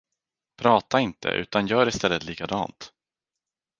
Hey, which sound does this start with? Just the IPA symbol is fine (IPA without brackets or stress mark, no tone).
pʰ